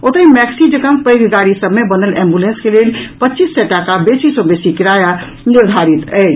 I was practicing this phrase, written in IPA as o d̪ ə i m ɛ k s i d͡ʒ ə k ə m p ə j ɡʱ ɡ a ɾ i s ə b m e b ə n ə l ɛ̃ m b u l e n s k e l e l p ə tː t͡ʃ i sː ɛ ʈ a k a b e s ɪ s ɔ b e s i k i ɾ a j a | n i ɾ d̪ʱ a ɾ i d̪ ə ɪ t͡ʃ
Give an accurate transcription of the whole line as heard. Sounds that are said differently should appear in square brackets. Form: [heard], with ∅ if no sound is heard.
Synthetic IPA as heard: o [t̪] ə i m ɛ k s i d͡ʒ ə k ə m p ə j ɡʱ ɡ a ɾ i s ə b m e b ə n ə l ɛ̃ m b u l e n s k e l e l p ə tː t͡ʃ i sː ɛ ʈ a k a b e s [i] s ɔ b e s i k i ɾ a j a | n i ɾ d̪ʱ a ɾ i [t̪] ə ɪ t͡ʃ